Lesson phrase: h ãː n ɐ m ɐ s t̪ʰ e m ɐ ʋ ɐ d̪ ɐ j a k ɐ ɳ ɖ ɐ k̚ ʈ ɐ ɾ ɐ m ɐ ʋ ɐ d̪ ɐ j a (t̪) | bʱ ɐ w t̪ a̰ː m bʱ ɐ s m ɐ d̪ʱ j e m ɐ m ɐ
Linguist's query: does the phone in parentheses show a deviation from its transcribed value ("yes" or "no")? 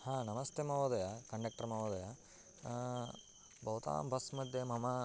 yes